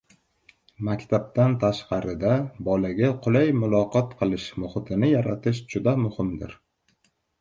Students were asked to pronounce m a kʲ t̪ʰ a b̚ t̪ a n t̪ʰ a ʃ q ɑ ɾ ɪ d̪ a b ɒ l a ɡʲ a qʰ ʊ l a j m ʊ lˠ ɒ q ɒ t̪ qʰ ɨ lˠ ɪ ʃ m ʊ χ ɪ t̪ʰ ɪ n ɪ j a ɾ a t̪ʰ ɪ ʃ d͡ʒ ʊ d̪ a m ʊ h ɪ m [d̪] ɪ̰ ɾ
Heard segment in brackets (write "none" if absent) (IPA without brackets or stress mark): d̪